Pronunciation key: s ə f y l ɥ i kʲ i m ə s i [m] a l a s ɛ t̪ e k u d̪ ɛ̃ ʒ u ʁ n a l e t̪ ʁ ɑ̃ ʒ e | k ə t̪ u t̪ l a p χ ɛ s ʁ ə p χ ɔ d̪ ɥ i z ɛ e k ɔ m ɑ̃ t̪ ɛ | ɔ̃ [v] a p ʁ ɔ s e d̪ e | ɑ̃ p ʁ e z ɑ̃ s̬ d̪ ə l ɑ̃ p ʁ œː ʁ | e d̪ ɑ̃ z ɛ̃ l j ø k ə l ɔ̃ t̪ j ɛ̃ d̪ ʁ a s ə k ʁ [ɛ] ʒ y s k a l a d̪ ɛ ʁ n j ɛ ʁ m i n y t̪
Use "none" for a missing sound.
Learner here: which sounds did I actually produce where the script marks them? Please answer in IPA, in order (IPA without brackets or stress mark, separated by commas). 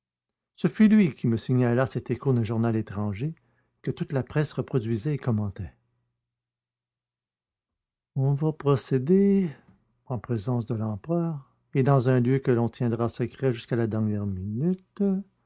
ɲ, v, ɛ